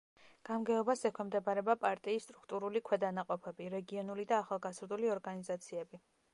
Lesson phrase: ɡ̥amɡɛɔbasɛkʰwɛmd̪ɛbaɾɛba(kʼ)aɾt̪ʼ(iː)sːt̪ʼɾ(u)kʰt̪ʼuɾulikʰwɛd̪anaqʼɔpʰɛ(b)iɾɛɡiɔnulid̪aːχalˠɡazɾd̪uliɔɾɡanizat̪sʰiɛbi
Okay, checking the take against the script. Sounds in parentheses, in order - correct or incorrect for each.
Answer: incorrect, correct, correct, correct

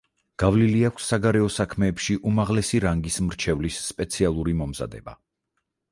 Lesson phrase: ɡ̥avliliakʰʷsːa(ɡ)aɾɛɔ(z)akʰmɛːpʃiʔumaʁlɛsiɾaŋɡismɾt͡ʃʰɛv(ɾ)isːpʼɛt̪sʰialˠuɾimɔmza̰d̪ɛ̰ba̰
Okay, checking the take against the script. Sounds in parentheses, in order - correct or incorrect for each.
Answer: correct, incorrect, incorrect

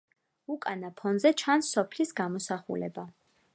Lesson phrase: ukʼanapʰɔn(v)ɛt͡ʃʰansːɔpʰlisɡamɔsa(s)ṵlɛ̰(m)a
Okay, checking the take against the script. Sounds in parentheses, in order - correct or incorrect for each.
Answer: incorrect, incorrect, incorrect

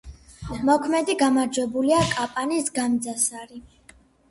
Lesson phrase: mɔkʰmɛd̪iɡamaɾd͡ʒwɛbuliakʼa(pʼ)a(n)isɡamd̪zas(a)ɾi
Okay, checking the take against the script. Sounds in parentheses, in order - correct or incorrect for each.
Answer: correct, correct, correct

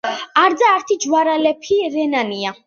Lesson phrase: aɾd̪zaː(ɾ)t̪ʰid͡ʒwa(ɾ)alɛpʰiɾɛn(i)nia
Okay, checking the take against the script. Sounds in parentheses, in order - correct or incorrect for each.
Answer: correct, correct, incorrect

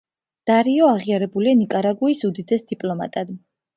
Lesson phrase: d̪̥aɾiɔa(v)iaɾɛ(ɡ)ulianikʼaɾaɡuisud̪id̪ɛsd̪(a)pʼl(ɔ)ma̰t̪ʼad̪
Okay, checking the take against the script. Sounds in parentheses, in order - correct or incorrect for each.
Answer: incorrect, incorrect, incorrect, correct

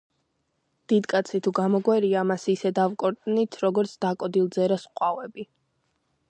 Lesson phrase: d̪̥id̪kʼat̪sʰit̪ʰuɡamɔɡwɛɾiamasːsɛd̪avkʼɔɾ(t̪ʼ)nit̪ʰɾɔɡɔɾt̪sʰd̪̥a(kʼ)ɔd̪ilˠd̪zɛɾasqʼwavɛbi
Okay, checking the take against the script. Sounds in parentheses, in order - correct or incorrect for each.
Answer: correct, correct

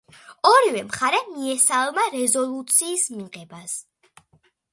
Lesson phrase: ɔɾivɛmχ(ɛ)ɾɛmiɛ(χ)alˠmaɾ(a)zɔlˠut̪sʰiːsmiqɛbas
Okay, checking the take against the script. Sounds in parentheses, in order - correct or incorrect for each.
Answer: incorrect, incorrect, incorrect

